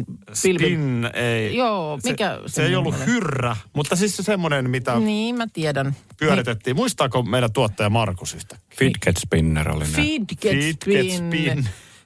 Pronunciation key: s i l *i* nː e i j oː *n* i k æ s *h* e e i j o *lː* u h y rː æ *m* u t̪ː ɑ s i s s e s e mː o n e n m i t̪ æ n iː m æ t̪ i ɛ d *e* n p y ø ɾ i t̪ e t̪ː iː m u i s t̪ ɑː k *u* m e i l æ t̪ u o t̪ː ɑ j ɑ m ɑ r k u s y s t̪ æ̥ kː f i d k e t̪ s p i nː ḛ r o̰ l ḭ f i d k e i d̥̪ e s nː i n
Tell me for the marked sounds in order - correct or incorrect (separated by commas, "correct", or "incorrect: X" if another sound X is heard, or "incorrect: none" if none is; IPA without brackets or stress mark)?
correct, incorrect: m, incorrect: s, correct, correct, incorrect: æ, incorrect: o